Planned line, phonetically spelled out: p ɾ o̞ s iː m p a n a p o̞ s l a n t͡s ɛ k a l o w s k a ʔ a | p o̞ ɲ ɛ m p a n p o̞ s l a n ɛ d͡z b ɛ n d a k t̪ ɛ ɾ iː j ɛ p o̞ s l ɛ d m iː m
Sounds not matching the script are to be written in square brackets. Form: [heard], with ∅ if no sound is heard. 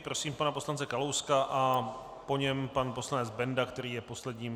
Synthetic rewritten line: p ɾ o̞ s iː m p a n a p o̞ s l a n t͡s ɛ k a l o w s k a ʔ a | p o̞ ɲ ɛ m p a n p o̞ s l a n ɛ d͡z b ɛ n d a k t̪ ɛ ɾ iː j ɛ p o̞ s l ɛ d [ɲ] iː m